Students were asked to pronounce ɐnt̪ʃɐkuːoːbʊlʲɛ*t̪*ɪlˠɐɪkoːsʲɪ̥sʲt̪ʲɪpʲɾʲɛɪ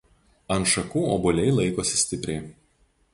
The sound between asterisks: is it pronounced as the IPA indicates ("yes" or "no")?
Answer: no